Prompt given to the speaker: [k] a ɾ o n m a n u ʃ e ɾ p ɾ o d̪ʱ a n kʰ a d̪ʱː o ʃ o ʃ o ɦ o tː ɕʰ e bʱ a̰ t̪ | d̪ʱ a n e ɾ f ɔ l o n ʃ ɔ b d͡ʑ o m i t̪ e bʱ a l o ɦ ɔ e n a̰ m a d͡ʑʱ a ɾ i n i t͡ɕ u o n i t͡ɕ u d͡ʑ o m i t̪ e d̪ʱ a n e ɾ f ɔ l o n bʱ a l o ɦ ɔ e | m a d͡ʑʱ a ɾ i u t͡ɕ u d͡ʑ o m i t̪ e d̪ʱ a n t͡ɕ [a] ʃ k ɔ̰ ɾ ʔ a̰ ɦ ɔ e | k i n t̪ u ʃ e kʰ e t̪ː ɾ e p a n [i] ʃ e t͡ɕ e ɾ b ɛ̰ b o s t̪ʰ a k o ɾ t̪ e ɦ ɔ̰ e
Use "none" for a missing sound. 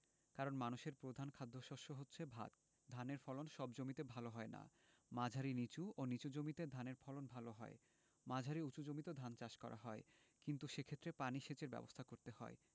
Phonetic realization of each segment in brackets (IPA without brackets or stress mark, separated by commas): k, a, i